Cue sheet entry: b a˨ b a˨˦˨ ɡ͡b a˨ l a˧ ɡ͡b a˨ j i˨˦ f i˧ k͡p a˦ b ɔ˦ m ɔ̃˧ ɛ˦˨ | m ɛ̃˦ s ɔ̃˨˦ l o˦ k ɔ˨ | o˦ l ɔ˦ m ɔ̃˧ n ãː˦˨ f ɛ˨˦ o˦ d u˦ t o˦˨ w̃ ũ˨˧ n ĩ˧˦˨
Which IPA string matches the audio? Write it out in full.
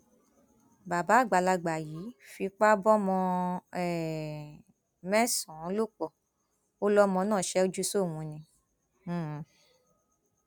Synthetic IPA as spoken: b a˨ b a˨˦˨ ɡ͡b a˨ l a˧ ɡ͡b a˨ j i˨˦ f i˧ k͡p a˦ b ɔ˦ m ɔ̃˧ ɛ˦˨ | m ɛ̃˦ s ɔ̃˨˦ l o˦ k͡p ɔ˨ | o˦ l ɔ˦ m ɔ̃˧ n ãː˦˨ ʃ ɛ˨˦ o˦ d͡ʒ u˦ s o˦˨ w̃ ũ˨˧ n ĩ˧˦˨